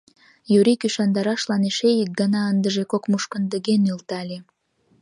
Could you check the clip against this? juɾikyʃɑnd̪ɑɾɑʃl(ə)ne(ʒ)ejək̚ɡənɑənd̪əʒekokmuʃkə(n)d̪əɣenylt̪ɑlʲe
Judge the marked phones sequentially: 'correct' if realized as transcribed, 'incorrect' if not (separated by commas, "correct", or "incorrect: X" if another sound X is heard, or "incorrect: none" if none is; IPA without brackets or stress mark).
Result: incorrect: ɑ, incorrect: ʃ, correct